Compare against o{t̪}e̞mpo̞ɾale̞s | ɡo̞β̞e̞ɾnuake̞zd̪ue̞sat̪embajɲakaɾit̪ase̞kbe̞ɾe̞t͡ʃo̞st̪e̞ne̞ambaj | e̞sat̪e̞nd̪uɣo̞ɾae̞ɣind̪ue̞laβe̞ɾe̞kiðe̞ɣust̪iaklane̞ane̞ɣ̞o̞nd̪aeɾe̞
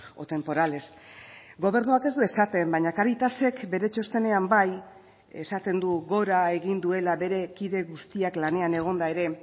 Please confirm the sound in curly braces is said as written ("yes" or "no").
yes